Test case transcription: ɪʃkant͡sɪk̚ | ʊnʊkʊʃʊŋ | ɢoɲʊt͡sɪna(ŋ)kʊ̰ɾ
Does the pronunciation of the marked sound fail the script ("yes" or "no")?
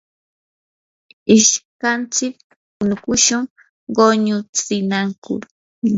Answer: no